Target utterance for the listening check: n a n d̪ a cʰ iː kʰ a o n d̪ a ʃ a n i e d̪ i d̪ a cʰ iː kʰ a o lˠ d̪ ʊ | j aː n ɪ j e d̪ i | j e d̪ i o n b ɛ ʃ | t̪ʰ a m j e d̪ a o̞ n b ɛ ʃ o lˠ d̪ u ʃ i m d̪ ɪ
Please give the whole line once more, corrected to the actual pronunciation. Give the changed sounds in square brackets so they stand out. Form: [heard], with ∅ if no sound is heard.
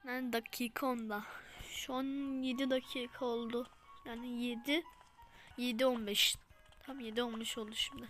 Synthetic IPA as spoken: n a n d̪ a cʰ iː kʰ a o n d̪ a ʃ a n [j] e d̪ i d̪ a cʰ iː kʰ a o lˠ d̪ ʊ | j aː n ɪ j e d̪ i | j e d̪ i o n b ɛ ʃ | t̪ʰ a m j e d̪ [i] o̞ n b ɛ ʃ o lˠ d̪ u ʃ i m d̪ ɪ